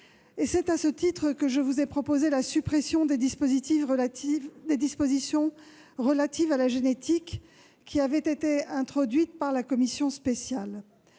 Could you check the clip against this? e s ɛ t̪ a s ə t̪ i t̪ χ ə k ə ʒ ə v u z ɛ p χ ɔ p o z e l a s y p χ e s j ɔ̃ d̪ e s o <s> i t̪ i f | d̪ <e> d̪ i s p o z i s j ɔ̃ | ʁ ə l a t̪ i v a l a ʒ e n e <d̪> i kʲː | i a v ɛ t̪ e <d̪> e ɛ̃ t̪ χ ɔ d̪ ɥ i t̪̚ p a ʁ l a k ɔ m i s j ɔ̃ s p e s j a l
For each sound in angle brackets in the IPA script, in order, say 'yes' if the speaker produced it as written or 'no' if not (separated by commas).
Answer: no, yes, no, no